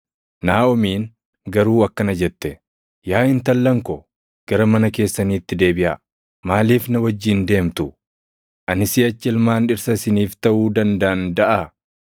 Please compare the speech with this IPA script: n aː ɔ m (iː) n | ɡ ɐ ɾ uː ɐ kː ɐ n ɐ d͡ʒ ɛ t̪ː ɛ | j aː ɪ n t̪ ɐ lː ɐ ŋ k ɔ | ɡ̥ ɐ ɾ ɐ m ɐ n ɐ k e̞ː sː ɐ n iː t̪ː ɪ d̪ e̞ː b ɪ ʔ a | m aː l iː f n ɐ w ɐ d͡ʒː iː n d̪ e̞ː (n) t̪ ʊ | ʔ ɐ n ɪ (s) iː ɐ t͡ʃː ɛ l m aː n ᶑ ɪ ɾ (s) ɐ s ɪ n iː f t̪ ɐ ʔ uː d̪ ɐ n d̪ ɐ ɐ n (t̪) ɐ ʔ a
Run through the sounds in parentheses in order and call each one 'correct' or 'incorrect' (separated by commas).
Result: correct, incorrect, correct, correct, incorrect